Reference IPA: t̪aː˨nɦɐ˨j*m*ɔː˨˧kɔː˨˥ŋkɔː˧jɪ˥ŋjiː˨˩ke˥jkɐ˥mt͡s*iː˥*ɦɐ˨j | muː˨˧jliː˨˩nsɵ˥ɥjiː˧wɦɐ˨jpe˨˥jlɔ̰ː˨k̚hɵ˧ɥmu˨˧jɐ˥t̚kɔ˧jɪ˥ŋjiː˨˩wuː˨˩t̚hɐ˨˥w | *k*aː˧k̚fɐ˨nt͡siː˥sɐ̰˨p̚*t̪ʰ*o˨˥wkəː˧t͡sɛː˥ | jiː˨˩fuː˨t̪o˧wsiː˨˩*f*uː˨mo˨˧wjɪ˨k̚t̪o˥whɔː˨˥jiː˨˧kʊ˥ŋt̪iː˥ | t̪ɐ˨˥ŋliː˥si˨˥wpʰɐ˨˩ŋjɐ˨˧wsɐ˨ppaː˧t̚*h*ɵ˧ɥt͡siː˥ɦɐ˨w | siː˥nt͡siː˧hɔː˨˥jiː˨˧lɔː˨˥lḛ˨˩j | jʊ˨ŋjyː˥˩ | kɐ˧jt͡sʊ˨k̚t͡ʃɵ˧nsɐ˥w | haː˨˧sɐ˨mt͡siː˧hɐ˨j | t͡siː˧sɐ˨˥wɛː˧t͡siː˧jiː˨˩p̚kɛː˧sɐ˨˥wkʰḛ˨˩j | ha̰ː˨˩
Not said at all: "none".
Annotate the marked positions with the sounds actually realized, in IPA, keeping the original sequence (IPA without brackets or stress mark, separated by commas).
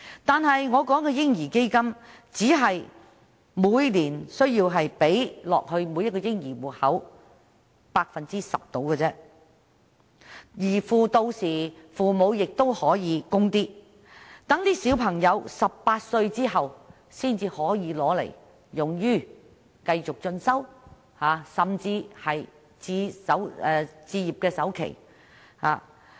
ŋ, iː˨˥, p, t̪, f, s